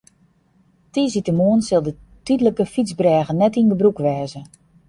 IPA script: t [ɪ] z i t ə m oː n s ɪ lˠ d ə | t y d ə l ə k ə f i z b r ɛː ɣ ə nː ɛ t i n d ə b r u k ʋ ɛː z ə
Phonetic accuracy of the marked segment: incorrect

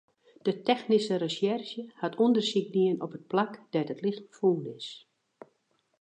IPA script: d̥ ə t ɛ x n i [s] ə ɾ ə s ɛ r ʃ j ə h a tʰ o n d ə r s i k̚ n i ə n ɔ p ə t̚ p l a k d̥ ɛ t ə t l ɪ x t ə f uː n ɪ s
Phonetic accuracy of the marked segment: correct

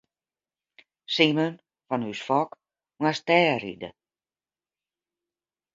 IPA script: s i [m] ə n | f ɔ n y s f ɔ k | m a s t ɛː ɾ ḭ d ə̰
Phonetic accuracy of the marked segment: correct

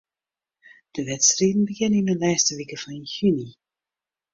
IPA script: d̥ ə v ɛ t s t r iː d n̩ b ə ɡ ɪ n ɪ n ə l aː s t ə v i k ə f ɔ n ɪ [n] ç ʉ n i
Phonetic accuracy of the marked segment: correct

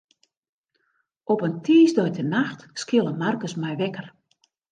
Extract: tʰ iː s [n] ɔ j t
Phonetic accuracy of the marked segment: incorrect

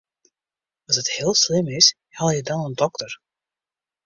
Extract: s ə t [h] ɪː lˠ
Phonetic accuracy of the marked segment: correct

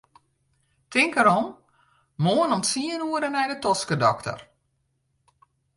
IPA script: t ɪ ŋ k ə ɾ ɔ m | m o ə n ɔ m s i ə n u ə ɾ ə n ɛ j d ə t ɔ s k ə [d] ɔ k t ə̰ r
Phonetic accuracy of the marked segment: correct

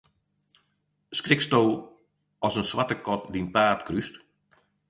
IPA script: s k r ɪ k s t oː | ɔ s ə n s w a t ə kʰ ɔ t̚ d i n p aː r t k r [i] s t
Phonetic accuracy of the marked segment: incorrect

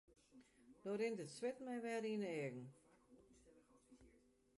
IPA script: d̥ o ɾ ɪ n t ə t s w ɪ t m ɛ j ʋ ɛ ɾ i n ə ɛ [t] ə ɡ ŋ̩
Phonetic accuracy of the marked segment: incorrect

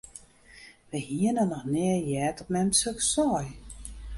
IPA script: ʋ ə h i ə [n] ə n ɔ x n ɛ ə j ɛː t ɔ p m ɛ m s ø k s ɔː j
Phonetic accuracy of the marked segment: correct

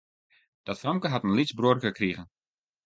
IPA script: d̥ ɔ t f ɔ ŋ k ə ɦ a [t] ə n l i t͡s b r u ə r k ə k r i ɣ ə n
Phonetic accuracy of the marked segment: correct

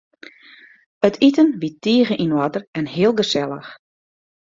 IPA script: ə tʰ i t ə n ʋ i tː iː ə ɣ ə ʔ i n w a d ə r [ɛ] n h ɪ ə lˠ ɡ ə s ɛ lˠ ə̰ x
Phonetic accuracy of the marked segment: correct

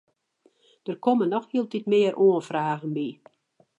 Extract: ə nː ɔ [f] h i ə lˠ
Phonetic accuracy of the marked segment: incorrect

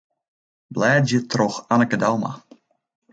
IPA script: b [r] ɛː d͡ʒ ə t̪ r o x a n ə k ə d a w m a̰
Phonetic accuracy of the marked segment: incorrect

